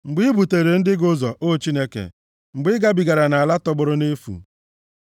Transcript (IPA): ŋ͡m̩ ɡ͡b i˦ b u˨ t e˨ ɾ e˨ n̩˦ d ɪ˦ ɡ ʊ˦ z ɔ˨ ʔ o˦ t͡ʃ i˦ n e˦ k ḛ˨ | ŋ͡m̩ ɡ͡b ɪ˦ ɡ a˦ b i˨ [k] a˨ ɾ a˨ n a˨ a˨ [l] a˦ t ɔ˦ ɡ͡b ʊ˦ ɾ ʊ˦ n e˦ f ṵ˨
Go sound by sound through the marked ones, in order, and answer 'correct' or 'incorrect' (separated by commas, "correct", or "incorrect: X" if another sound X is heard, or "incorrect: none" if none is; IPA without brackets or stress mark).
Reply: incorrect: ɡ, correct